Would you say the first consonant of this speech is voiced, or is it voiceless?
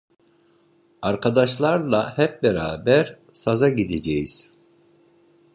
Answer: voiced